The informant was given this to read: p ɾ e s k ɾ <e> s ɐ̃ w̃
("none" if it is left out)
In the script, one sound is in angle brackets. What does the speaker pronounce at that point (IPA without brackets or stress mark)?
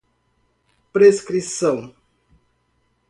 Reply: i